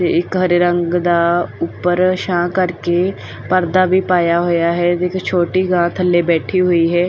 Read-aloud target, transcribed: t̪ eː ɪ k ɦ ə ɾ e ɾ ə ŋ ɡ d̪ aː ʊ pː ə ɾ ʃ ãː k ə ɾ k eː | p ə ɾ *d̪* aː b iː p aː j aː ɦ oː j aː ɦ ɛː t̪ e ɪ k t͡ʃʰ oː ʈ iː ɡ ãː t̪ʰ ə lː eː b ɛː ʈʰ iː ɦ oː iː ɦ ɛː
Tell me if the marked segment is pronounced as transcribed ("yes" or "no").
yes